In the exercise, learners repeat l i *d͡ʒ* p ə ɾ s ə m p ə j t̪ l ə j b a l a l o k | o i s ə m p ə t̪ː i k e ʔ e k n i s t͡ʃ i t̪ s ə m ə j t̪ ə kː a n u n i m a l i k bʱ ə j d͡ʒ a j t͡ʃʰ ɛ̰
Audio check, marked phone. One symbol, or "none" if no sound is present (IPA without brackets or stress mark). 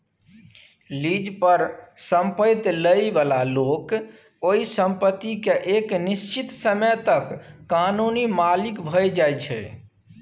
d͡ʒ